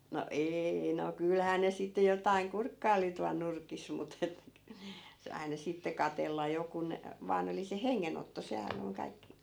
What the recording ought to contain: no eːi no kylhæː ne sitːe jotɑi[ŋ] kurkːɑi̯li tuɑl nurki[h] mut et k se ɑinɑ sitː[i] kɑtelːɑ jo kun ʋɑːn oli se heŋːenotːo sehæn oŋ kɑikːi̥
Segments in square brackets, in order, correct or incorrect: correct, incorrect, incorrect

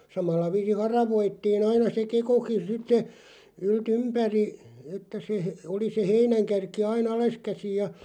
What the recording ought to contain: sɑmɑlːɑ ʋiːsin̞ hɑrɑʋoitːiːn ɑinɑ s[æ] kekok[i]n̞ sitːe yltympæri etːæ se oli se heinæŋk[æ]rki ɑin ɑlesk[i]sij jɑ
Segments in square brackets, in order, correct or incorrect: incorrect, correct, correct, incorrect

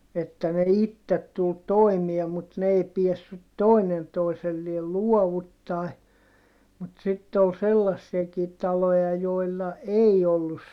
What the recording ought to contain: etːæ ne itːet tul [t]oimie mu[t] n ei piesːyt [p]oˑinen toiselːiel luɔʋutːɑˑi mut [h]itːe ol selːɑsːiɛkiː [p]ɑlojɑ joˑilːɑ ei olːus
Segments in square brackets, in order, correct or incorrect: correct, correct, incorrect, incorrect, incorrect

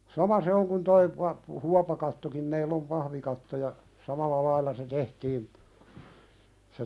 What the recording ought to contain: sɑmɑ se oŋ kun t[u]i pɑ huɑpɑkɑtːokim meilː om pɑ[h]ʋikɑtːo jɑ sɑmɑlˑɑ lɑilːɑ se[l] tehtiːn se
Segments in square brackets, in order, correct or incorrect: incorrect, correct, incorrect

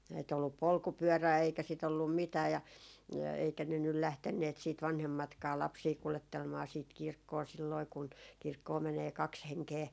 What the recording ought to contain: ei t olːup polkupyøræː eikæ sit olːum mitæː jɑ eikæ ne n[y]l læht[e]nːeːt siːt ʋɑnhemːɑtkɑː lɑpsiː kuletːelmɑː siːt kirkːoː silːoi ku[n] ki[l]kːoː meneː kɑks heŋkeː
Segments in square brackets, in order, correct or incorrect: correct, correct, correct, incorrect

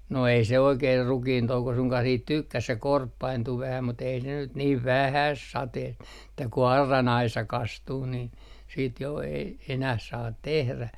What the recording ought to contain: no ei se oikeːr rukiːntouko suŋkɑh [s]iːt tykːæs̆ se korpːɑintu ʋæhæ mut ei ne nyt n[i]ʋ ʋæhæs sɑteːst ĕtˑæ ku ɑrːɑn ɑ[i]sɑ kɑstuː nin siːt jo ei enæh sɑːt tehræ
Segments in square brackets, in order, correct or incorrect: correct, incorrect, correct

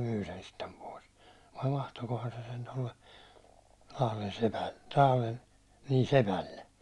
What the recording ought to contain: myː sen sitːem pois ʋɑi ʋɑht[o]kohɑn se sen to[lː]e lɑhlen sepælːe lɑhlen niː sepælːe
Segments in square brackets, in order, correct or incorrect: correct, correct

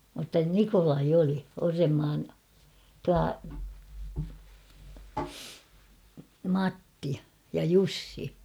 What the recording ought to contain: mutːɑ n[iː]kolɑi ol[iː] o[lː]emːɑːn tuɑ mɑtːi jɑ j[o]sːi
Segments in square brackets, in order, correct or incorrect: incorrect, incorrect, incorrect, incorrect

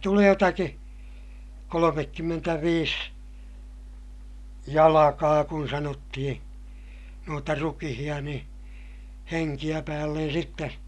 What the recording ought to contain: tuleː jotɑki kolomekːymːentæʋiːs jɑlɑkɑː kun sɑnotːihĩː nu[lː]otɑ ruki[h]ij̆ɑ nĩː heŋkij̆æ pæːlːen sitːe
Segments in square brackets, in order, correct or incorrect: incorrect, correct

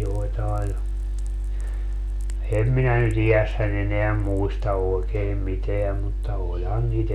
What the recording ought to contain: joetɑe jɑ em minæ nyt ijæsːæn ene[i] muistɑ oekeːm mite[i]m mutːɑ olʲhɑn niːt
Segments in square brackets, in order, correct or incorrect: incorrect, incorrect

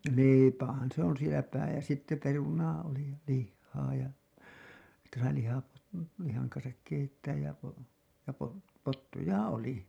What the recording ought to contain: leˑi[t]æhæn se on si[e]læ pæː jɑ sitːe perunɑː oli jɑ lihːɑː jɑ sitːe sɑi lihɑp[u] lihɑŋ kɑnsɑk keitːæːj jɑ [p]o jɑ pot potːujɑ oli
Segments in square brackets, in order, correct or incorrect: incorrect, correct, incorrect, correct

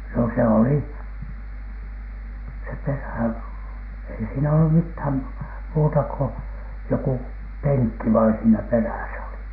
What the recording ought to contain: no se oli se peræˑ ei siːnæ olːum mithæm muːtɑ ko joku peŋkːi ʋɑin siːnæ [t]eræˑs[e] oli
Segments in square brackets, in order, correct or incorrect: incorrect, incorrect

